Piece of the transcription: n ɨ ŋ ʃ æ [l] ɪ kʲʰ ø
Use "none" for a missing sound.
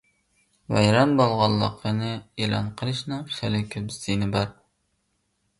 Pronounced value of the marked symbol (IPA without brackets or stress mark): l